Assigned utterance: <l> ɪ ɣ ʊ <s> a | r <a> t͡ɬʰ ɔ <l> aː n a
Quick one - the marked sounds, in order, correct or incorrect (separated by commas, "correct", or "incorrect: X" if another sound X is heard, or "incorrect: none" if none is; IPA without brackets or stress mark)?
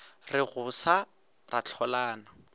incorrect: r, correct, correct, correct